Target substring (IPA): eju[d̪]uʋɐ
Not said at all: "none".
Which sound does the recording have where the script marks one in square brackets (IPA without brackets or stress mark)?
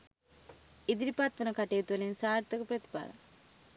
t̪